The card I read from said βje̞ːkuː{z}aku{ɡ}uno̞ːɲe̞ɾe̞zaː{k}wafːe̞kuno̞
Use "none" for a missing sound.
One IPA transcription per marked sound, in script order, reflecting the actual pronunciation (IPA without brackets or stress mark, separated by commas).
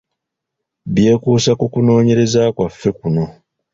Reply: s, k, k